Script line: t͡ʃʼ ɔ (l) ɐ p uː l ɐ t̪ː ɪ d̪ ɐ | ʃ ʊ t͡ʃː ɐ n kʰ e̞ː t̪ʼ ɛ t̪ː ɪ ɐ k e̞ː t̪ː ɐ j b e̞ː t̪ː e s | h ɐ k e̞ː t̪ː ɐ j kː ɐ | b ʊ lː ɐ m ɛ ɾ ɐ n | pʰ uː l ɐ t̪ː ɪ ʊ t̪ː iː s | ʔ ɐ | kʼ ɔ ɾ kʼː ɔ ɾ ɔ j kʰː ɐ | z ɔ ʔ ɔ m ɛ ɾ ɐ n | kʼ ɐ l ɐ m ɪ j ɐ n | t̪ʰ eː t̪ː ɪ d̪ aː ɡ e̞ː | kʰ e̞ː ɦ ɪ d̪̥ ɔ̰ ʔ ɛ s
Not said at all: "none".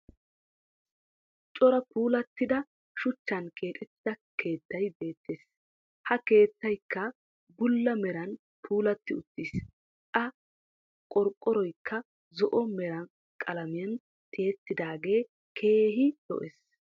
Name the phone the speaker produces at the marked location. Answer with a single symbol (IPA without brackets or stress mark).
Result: ɾ